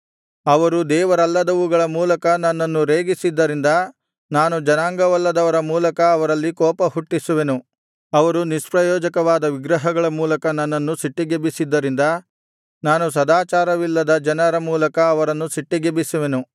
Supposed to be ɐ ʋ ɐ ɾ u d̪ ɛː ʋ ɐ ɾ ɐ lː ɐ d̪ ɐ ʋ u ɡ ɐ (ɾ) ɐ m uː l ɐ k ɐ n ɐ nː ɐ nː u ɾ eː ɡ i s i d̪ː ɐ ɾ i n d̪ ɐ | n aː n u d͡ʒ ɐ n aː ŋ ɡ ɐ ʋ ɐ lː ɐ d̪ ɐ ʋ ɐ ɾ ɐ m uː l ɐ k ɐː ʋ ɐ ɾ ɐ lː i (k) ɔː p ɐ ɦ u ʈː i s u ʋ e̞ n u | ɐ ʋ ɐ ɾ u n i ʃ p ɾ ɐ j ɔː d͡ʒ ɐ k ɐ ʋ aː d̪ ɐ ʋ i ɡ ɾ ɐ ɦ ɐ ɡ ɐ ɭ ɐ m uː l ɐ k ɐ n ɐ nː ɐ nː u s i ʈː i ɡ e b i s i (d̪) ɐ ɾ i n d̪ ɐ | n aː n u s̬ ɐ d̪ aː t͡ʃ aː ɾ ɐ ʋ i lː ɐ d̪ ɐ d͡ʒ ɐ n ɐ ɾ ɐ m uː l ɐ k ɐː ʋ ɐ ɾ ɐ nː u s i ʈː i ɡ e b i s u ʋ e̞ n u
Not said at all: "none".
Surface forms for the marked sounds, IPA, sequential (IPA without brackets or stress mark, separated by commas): ɭ, k, d̪ː